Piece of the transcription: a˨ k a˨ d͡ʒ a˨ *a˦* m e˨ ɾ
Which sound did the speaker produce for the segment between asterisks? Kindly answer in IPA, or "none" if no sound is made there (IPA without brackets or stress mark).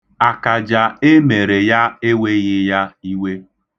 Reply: e˦